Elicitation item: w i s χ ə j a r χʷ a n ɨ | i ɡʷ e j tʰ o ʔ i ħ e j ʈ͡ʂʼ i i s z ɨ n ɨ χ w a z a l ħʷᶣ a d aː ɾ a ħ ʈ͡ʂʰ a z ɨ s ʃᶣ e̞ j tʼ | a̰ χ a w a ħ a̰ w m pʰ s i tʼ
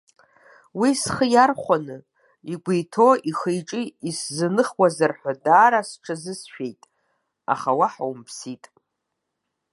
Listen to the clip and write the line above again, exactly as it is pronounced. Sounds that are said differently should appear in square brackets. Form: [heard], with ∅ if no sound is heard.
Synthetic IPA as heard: w i s χ ə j a r χʷ a n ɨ | i ɡʷ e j tʰ o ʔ i [χ] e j ʈ͡ʂʼ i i s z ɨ n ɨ χ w a z a [r] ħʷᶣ a d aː ɾ a [s] ʈ͡ʂʰ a z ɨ s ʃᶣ e̞ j tʼ | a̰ χ a w a ħ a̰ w m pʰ s i tʼ